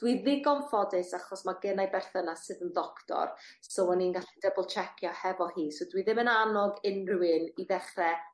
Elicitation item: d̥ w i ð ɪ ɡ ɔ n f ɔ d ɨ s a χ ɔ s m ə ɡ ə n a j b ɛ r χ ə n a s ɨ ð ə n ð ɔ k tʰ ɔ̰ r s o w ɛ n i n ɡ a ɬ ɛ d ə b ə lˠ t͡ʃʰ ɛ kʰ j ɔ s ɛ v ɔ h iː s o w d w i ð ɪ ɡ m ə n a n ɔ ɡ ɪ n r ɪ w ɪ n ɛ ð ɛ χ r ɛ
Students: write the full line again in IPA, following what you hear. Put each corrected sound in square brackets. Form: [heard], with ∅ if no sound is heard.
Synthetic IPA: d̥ w i ð ɪ ɡ ɔ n f ɔ d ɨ s a χ ɔ s m [a] ɡ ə n a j b ɛ r [θ] ə n a s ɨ ð ə n ð ɔ k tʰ ɔ̰ r s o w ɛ n i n ɡ a ɬ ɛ d ə b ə lˠ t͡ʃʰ ɛ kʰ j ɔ [h] ɛ v ɔ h iː s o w d w i ð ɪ [∅] m ə n a n ɔ ɡ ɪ n r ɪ w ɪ n [i] ð ɛ χ r ɛ